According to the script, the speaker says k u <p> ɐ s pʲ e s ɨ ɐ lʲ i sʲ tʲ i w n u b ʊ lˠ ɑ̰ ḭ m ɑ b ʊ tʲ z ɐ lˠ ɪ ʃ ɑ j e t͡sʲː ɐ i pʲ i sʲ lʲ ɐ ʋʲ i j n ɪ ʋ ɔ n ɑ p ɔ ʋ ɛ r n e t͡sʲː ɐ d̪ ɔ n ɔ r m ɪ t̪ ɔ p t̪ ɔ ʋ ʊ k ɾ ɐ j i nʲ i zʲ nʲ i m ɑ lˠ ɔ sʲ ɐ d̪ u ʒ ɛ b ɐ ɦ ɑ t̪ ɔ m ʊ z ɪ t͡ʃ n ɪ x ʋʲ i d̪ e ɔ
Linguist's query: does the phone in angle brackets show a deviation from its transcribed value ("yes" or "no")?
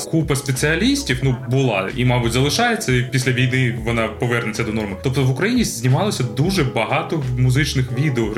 no